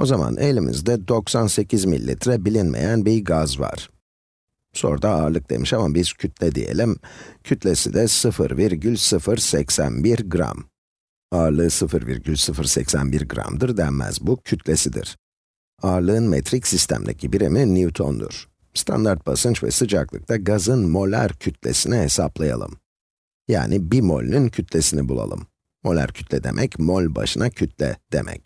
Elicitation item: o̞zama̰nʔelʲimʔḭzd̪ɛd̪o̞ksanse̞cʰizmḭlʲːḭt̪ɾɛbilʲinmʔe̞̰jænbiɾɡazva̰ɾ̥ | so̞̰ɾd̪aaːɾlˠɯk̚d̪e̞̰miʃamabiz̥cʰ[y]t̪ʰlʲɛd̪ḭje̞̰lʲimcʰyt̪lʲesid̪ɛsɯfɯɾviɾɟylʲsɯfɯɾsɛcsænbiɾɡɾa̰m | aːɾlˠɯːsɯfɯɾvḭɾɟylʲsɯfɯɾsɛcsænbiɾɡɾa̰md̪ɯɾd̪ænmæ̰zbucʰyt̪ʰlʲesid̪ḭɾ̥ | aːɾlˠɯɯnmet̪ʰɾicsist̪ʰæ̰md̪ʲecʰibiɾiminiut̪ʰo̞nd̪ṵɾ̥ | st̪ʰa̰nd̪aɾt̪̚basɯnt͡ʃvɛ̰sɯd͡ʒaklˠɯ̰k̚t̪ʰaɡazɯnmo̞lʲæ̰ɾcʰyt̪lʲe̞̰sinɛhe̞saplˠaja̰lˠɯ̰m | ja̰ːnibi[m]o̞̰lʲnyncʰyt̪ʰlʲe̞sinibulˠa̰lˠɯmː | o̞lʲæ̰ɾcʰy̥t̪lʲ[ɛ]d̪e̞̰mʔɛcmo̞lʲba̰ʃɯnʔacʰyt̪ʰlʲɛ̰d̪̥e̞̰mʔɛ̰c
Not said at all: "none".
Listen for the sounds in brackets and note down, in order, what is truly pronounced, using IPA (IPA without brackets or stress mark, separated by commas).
y, m, ɛ